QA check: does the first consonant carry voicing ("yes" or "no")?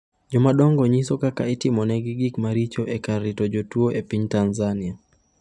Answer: yes